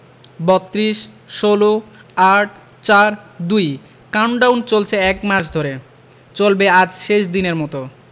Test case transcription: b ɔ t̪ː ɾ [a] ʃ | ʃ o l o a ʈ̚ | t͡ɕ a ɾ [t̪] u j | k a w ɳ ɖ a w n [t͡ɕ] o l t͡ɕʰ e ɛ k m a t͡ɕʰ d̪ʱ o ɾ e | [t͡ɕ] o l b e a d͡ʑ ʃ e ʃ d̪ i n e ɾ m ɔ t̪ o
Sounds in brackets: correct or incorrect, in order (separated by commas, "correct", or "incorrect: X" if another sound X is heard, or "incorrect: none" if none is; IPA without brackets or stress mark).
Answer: incorrect: i, incorrect: d̪, correct, correct